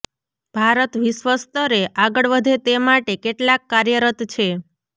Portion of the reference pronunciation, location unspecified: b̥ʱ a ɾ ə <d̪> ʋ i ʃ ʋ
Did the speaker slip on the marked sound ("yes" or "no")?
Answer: yes